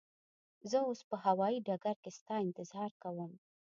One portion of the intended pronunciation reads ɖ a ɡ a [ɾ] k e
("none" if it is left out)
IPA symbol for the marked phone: ɾ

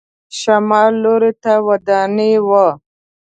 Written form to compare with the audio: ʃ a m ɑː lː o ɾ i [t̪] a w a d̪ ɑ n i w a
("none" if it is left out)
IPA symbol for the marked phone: t̪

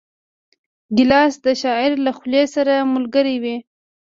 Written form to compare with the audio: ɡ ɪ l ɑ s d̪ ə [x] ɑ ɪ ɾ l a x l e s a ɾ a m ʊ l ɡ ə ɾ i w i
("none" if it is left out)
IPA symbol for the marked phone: ʃ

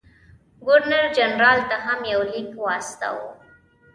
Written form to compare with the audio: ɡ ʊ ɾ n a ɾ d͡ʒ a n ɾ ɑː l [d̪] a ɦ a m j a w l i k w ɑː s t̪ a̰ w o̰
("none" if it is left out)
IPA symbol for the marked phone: t̪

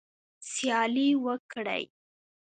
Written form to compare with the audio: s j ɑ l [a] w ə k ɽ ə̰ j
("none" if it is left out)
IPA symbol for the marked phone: i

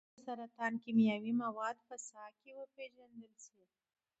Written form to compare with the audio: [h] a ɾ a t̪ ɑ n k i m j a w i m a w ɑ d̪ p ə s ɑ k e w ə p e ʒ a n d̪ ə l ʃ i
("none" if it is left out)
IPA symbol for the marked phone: s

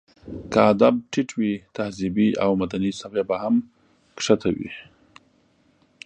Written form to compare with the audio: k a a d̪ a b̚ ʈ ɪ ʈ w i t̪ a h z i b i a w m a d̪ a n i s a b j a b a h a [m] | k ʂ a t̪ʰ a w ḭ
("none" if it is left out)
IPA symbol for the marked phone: m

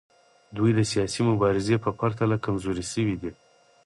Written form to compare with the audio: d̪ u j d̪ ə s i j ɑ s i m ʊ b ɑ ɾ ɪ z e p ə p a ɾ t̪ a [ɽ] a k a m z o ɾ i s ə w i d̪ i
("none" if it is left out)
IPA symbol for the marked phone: l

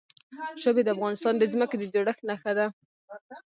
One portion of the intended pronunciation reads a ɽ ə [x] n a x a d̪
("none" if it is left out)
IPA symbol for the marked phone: x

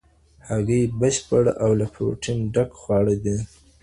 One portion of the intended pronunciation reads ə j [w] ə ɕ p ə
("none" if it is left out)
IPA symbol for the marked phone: b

